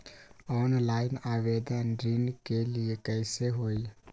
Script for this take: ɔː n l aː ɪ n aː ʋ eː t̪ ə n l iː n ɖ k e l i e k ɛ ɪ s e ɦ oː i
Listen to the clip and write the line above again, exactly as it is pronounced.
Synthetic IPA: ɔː n l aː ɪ n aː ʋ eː d̪ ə n ɾ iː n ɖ k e l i e k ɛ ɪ s e ɦ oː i